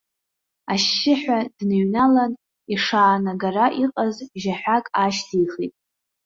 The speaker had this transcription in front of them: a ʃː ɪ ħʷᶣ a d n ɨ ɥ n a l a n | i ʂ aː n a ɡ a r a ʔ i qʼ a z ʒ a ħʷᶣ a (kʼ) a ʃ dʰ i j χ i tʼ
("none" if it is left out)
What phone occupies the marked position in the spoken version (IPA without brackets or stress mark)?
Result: kʼ